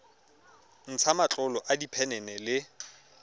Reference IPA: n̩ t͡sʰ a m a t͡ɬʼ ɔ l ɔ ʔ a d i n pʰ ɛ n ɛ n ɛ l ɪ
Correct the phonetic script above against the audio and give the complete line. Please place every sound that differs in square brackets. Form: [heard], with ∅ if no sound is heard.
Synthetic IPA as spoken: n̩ t͡sʰ a m a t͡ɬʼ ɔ l ɔ ʔ a d i [∅] pʰ ɛ n ɛ n ɛ l ɪ